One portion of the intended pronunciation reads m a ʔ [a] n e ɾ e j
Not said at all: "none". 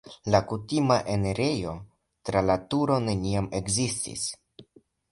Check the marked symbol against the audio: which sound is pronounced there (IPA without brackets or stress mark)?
e